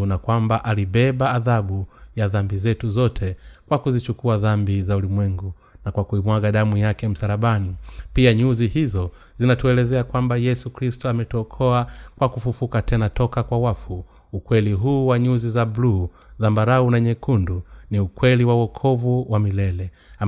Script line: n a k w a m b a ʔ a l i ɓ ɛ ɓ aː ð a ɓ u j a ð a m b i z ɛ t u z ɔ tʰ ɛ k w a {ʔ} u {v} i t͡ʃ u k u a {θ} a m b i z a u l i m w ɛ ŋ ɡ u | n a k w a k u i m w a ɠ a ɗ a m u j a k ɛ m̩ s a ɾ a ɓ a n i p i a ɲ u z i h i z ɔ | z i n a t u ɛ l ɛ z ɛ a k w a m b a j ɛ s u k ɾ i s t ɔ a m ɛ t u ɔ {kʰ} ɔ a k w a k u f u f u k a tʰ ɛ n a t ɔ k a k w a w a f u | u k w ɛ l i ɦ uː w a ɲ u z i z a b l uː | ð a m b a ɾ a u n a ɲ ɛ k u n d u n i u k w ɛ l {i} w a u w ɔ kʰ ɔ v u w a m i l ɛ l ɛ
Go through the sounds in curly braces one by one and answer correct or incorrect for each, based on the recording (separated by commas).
incorrect, incorrect, incorrect, correct, correct